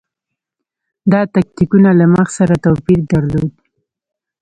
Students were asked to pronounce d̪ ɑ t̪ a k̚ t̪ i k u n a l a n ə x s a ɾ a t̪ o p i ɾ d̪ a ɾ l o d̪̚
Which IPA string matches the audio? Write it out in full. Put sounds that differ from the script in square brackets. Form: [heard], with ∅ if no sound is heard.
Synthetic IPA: d̪ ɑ t̪ a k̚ t̪ i k u n a l a [m] ə x s a ɾ a t̪ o p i ɾ d̪ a ɾ l o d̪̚